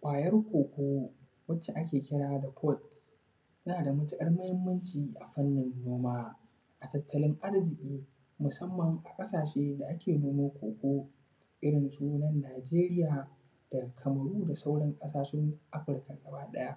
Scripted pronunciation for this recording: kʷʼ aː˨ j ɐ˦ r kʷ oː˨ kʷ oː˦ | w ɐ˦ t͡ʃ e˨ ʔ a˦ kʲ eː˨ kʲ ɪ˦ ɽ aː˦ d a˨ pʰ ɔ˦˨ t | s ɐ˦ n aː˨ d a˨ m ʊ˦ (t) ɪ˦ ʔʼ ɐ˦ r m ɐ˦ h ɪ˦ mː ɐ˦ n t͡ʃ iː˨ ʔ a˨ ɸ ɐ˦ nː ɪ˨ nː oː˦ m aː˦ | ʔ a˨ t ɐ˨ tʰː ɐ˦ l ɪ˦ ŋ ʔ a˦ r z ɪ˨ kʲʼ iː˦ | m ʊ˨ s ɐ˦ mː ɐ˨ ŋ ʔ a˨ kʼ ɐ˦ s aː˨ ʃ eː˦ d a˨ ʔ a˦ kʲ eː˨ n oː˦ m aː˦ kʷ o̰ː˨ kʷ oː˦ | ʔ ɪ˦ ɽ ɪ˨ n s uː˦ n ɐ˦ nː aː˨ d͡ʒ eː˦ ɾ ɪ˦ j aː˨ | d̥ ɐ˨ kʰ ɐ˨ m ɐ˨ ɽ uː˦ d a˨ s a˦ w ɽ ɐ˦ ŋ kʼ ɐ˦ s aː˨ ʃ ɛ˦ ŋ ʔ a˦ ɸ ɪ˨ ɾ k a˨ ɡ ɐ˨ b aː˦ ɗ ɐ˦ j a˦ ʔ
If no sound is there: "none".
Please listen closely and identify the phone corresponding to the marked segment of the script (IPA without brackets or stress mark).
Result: t